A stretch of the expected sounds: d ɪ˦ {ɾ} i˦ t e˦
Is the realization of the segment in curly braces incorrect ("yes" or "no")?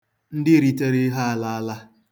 no